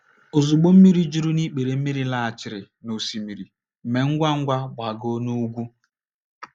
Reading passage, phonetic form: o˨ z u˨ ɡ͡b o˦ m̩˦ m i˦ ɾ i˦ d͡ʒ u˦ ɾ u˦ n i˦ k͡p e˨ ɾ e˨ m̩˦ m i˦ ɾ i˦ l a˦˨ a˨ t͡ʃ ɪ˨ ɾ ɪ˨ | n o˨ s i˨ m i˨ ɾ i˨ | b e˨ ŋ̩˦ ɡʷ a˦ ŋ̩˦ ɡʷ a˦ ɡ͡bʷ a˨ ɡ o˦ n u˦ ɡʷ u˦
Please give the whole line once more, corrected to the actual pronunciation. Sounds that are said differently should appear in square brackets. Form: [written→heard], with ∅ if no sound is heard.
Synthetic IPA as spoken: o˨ z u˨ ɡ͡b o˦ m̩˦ m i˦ ɾ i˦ d͡ʒ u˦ ɾ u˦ n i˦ k͡p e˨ ɾ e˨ m̩˦ m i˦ ɾ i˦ l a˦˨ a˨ t͡ʃ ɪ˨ ɾ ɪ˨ | n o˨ s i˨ m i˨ ɾ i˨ | [b→m] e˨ ŋ̩˦ ɡʷ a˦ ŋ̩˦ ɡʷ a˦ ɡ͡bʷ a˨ ɡ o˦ n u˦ ɡʷ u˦

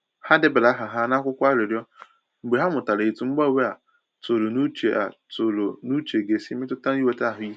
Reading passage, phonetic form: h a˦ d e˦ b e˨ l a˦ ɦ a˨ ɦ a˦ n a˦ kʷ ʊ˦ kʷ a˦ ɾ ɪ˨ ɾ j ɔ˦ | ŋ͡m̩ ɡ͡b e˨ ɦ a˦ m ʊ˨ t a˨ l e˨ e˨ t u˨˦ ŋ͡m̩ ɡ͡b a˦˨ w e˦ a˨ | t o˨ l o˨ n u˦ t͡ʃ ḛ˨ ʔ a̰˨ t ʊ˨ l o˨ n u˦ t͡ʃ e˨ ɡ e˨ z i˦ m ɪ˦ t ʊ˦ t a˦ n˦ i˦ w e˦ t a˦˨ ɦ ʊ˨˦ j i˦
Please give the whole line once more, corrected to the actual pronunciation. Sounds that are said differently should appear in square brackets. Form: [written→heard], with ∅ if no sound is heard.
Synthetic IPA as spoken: h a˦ d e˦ b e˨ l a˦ ɦ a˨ ɦ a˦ n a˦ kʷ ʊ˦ kʷ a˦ ɾ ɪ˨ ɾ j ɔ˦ | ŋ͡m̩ ɡ͡b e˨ ɦ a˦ m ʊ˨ t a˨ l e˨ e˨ t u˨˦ ŋ͡m̩ ɡ͡b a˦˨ w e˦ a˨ | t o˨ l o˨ n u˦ t͡ʃ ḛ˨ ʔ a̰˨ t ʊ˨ l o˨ n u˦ t͡ʃ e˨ ɡ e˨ [z→s] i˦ m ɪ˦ t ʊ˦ t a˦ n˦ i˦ w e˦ t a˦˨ ɦ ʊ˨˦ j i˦

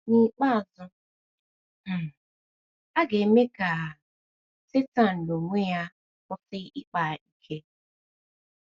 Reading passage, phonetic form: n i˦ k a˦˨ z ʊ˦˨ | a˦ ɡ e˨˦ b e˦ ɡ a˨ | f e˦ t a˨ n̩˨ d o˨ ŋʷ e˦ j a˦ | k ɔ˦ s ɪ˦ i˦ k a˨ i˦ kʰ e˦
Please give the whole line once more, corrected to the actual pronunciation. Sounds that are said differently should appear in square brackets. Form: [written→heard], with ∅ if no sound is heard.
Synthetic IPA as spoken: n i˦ [k→k͡p] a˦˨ z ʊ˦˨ | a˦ ɡ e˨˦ [b→m] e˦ [ɡ→k] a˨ | [f→s] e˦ t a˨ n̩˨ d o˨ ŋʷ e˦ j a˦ | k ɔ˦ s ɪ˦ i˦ [k→k͡p] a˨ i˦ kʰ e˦

